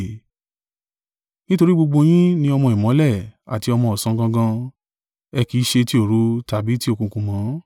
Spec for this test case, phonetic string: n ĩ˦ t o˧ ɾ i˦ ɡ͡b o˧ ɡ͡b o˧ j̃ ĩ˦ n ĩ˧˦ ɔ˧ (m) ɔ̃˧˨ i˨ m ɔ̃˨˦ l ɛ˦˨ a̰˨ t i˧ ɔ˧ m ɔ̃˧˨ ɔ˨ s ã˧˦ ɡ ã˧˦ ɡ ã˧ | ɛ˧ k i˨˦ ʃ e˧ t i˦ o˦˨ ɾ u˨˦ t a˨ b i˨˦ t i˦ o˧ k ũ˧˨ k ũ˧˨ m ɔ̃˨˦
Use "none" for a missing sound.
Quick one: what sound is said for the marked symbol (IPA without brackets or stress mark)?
m